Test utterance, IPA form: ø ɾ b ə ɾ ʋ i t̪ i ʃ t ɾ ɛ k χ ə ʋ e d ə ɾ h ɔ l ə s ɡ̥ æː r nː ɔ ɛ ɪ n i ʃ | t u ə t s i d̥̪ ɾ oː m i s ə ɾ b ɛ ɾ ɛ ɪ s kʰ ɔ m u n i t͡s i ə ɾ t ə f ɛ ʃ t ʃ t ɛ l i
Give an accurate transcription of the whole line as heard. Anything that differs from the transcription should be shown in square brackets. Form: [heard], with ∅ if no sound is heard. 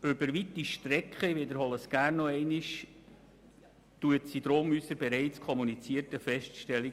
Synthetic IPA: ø [∅] b ə ɾ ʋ i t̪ i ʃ t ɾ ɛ k χ ə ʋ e d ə ɾ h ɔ l ə s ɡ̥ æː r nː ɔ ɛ ɪ n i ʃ | t u ə t s i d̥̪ ɾ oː m [y] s ə ɾ b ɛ ɾ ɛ ɪ [t͡s] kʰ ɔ m u n i t͡s i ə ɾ t ə f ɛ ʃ t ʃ t ɛ l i

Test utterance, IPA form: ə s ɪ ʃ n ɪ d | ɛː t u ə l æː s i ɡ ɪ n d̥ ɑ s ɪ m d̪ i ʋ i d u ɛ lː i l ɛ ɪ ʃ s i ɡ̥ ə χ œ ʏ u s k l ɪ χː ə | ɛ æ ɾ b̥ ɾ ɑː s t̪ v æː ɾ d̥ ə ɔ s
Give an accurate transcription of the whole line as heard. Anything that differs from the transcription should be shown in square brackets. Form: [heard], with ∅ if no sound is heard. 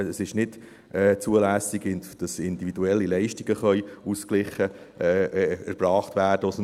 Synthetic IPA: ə s ɪ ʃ n ɪ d | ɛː [t͡s] u ə l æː s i ɡ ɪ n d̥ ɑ s ɪ [n] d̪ i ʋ i d u ɛ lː i l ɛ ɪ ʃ [t] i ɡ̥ ə χ œ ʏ u s k l ɪ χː ə | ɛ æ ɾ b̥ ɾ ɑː [χ] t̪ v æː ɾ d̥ ə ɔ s

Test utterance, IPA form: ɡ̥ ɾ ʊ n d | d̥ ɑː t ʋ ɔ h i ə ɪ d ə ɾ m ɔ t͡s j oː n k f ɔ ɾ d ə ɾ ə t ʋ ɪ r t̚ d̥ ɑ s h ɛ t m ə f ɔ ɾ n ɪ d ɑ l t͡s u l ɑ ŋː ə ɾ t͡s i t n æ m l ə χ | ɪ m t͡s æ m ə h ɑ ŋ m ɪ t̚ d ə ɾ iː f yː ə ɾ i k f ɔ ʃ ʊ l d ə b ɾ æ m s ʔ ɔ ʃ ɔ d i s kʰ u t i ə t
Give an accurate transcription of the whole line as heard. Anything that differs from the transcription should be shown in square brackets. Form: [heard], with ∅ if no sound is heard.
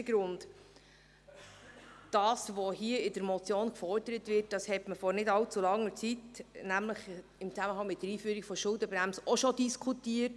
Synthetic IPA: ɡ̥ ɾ ʊ n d | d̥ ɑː [s] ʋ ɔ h i ə ɪ d ə ɾ m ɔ t͡s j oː n k f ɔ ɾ d ə ɾ ə t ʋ ɪ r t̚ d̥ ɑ s h ɛ t m ə f ɔ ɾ n ɪ d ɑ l t͡s u l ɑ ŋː ə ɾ t͡s i t n æ m l ə χ | ɪ m t͡s æ m ə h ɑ ŋ m ɪ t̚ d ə ɾ iː f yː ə ɾ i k f ɔ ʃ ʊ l d ə b ɾ æ m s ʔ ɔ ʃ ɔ d i s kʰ u t i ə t

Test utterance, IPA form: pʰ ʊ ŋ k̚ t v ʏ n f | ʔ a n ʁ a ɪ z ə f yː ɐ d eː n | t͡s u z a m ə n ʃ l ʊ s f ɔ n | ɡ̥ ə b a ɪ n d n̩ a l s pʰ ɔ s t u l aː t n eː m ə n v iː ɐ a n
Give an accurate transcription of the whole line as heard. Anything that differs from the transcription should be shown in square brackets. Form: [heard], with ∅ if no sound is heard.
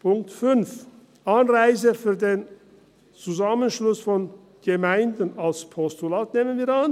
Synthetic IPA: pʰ ʊ ŋ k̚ t [f] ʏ n f | ʔ a n ʁ a ɪ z ə f yː ɐ d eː n | t͡s u z a m ə n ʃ l ʊ s f ɔ n | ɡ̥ ə [m] a ɪ n d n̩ a l s pʰ ɔ s t u l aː t n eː m ə n v iː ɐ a n

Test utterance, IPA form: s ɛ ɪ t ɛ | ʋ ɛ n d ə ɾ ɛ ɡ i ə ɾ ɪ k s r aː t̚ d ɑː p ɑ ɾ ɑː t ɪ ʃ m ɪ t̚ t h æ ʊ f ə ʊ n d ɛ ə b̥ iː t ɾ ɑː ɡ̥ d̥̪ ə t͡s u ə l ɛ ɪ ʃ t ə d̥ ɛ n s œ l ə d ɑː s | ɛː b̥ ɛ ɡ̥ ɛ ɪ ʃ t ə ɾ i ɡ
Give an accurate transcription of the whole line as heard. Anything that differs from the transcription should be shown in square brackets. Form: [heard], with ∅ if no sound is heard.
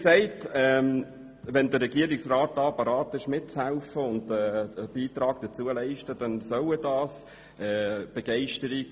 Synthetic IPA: s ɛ ɪ t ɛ | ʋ ɛ n d ə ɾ ɛ ɡ i ə ɾ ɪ k s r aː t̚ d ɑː p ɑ ɾ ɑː t ɪ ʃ m ɪ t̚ [t͡s] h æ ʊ f ə ʊ n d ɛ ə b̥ iː t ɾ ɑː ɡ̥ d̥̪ ə t͡s u ə l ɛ ɪ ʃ t ə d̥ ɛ n s œ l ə d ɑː s | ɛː b̥ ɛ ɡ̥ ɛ ɪ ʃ t ə ɾ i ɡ

